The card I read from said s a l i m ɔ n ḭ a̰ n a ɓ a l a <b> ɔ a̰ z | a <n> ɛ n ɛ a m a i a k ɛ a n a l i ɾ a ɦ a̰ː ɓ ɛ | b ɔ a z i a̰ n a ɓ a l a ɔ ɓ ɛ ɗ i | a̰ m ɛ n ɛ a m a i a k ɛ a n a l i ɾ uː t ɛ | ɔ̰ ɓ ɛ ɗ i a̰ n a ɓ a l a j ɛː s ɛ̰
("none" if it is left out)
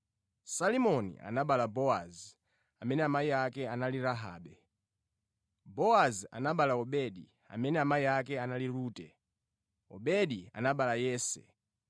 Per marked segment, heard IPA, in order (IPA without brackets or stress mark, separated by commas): b, m